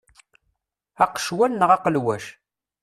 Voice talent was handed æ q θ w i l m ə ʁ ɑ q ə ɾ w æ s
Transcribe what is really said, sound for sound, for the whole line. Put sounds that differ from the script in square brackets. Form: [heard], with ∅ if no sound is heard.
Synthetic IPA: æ q [ʃ] w [æ] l [n] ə ʁ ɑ q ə [l] w æ [ʃ]